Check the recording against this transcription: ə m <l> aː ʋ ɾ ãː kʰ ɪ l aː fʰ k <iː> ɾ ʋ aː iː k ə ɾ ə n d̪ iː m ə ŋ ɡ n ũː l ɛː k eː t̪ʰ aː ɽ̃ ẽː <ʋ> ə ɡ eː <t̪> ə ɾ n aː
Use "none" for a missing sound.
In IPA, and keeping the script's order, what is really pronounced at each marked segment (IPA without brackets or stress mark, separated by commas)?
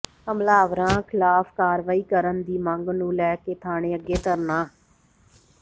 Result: l, aː, none, t̪